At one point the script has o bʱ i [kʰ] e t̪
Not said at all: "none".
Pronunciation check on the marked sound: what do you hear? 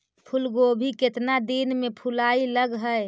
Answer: k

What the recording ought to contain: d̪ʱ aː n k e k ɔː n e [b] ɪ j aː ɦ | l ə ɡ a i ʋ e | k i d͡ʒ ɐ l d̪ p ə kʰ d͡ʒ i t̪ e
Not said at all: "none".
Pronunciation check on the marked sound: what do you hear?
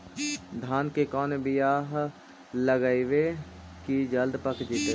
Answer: b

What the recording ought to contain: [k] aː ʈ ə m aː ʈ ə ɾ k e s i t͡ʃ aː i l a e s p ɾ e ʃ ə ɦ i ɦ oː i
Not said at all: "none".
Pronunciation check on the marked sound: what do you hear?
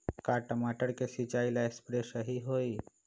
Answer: k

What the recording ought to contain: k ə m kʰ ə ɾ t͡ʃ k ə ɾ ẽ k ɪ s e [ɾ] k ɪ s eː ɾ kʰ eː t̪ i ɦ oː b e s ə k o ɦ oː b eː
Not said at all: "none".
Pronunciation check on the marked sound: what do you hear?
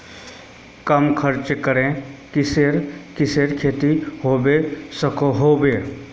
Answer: ɾ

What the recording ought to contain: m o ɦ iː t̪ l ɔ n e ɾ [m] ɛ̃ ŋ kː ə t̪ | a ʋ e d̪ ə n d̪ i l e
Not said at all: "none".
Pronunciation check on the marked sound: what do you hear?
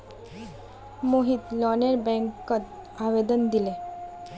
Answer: b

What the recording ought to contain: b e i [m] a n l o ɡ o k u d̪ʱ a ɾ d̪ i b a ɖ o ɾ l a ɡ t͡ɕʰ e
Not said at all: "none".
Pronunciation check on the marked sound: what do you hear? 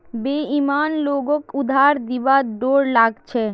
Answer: m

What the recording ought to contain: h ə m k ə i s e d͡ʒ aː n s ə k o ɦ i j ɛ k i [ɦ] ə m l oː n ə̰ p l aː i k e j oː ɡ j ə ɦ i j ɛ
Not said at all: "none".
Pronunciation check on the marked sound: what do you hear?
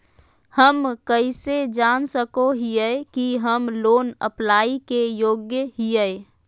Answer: ɦ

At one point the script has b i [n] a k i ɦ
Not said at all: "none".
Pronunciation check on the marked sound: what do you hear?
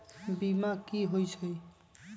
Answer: m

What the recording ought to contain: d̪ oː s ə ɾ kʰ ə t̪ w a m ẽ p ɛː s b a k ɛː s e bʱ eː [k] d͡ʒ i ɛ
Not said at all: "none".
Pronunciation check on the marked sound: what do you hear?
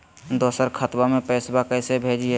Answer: none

